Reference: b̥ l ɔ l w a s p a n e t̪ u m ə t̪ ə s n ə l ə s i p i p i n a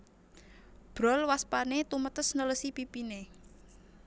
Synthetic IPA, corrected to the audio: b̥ ɾ ɔ l w a s p a n e t̪ u m ə t̪ ə s n ə l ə s i p i p i n e